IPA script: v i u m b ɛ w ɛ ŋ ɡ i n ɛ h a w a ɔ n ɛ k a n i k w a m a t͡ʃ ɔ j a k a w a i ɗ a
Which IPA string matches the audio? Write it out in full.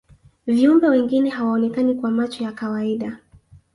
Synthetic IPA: v i u m b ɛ w ɛ ŋ ɡ i n ɛ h a w a ɔ n ɛ k a n i k w a m a t͡ʃ ɔ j a k a w a i ɗ a